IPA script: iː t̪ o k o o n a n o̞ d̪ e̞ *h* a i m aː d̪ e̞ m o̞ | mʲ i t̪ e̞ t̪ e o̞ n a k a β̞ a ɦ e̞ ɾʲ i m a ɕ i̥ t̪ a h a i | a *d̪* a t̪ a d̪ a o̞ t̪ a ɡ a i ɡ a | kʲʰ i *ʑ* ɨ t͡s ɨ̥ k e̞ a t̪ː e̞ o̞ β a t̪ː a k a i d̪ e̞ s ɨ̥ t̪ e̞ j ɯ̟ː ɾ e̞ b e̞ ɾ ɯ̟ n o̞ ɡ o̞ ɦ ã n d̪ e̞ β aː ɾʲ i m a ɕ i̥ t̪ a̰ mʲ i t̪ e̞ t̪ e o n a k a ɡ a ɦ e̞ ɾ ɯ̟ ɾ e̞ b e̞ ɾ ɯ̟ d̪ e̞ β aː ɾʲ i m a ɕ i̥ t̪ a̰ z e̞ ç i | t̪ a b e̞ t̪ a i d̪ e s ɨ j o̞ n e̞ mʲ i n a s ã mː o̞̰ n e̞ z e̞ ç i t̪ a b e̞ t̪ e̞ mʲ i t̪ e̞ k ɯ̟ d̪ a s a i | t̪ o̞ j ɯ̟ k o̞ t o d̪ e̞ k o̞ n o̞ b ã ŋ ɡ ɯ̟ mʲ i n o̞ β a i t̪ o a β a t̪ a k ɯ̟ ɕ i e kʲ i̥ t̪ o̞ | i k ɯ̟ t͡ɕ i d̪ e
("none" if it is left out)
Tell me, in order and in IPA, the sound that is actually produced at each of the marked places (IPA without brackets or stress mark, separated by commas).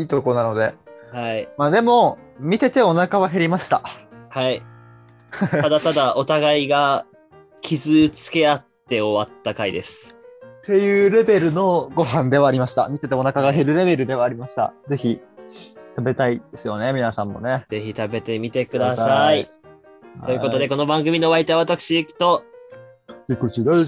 h, d̪, z